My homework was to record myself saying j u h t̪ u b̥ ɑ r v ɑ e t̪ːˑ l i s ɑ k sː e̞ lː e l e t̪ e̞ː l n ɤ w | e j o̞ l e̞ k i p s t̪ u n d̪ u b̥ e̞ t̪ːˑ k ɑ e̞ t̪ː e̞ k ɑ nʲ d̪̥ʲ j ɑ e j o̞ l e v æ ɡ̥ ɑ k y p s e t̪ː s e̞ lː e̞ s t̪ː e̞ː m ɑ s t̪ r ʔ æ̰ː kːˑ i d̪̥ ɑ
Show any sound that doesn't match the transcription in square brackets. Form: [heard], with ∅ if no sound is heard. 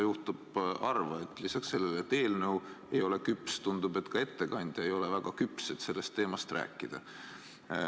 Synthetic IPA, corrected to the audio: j u h t̪ u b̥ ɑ r v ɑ e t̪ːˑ l i s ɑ k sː e̞ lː e l e t̪ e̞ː l n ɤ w | e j o̞ l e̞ k [y] p s t̪ u n d̪ u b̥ e̞ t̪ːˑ k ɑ e̞ t̪ː e̞ k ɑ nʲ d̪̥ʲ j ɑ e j o̞ l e v æ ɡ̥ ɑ k y p s e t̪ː s e̞ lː e̞ s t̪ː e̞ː m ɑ s t̪ r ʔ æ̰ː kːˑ i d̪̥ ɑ